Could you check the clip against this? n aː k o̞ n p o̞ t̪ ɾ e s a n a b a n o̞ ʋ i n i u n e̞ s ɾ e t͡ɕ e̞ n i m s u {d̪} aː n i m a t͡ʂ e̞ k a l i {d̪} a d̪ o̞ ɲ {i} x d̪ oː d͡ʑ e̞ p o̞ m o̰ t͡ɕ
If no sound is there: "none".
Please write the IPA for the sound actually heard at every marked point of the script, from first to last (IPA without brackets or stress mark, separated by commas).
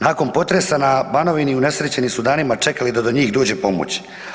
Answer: d̪, d̪, iː